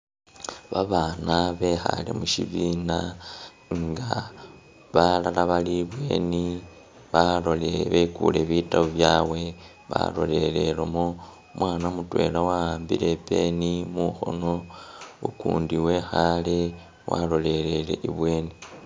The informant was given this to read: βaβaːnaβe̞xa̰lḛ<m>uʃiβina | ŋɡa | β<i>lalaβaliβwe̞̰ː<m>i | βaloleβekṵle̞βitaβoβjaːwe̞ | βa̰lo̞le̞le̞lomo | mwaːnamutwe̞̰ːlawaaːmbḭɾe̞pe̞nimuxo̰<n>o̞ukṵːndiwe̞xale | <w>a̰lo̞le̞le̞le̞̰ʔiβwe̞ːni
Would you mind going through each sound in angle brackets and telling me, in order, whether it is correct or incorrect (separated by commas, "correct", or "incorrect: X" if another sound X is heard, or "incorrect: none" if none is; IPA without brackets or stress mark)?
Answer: correct, incorrect: a, incorrect: n, correct, correct